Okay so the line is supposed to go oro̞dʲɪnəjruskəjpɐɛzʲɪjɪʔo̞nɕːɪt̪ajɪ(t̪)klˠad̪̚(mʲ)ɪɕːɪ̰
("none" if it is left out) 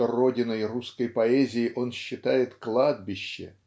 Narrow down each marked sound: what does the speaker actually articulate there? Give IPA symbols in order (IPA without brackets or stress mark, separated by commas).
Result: t̪, bʲ